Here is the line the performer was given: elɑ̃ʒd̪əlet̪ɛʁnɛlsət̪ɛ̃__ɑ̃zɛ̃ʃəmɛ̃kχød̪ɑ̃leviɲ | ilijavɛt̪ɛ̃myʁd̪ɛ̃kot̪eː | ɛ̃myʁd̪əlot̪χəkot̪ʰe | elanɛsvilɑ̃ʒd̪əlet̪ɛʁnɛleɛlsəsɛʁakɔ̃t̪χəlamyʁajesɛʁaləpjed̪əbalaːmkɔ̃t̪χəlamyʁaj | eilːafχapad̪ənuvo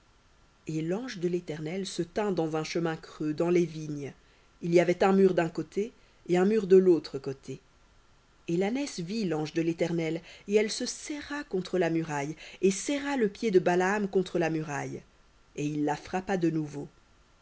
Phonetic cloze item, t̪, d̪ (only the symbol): d̪